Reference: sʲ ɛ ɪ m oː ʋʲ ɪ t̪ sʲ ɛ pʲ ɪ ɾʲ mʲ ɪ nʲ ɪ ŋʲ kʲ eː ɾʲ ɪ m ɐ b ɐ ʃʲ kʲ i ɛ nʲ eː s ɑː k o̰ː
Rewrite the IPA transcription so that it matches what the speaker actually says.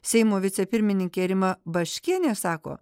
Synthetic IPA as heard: sʲ ɛ ɪ m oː ʋʲ ɪ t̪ sʲ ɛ pʲ ɪ ɾʲ mʲ ɪ nʲ ɪ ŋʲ kʲ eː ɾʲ ɪ m ɐ b ɐ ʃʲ kʲ i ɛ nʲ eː s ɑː k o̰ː